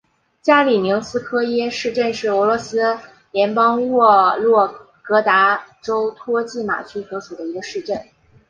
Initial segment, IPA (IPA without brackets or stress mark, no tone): t͡ɕ